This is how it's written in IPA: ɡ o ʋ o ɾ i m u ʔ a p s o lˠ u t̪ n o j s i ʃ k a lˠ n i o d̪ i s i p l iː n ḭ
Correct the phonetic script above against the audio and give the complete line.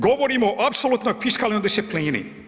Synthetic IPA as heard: ɡ o ʋ o ɾ i m o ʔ a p s o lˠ u t̪ n o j f i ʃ k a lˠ n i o d̪ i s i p l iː n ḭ